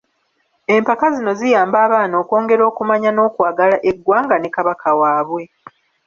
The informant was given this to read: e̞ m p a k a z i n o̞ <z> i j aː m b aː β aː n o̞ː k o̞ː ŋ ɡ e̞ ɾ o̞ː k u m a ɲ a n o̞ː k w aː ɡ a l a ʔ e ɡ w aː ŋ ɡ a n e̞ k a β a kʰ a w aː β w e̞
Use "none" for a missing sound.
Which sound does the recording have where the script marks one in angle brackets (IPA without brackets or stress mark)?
z